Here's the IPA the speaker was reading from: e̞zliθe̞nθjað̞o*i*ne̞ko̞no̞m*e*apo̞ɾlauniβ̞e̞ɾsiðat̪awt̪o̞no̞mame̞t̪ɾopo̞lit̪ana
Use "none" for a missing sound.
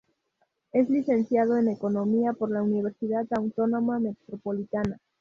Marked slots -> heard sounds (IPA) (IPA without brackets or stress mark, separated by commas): e, i